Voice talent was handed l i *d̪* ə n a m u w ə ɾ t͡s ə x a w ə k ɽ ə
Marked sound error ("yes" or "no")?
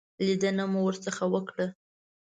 no